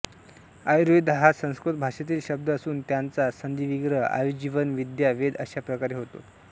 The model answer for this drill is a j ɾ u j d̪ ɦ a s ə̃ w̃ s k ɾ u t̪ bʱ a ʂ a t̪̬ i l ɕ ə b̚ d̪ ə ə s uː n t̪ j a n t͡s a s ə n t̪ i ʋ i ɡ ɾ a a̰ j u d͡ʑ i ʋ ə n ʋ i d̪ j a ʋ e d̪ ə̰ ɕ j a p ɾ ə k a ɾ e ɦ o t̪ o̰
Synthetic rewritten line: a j ɾ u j d̪ ɦ a s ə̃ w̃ s k ɾ u t̪ bʱ a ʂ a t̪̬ iː l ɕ ə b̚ d̪ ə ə s uː n t̪ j a n t͡s a s ə n d̪ i ʋ i ɡ ɾ ə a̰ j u d͡ʑ i ʋ ə n ʋ i d̪ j a ʋ e d̪ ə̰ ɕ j a p ɾ ə k a ɾ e ɦ o t̪ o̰